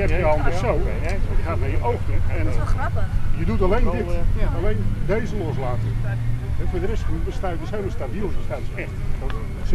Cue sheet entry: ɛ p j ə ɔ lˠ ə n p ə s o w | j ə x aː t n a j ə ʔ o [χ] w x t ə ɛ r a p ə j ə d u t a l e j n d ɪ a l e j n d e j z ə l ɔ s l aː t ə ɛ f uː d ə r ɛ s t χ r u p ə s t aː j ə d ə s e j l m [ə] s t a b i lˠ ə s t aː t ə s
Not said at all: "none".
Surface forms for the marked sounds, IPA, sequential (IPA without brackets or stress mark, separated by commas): none, ə